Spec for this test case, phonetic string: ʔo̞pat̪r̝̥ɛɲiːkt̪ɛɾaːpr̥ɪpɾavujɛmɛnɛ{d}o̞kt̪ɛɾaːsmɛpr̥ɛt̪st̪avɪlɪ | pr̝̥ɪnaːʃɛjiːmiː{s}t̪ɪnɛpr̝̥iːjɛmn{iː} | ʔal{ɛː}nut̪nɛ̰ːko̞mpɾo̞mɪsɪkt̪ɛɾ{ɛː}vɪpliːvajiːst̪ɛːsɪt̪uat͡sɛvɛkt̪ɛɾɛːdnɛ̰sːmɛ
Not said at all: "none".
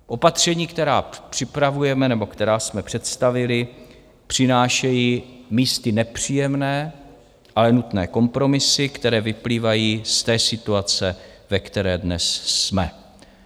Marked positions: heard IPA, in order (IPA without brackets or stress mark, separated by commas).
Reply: b, s, ɛː, ɛ, ɛː